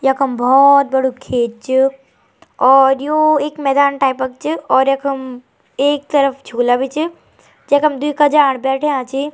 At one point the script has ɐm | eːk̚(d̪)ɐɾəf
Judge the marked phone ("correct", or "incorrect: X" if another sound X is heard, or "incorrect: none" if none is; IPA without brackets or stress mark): incorrect: t̪